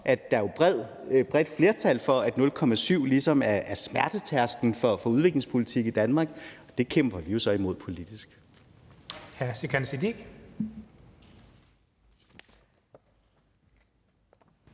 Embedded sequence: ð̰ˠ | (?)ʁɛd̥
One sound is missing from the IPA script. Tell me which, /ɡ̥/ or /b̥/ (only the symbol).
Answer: b̥